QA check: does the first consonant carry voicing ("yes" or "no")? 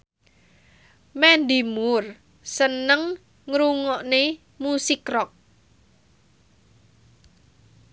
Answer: yes